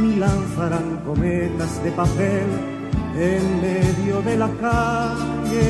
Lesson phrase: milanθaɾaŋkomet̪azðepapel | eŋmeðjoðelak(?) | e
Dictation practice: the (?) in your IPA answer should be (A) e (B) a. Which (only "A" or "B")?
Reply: B